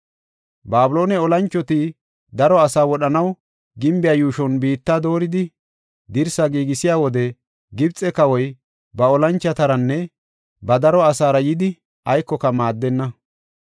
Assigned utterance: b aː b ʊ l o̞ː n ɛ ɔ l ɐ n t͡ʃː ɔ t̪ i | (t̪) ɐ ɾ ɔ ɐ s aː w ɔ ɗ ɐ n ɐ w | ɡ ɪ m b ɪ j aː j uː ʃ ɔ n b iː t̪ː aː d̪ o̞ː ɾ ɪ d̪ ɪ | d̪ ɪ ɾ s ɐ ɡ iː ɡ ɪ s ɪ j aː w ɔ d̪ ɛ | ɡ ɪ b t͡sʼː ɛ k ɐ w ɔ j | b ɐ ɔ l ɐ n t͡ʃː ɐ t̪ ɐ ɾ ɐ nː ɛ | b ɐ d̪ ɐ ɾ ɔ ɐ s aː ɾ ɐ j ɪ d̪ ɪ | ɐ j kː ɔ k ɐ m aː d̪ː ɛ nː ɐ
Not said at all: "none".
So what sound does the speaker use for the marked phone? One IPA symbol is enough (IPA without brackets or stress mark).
d̪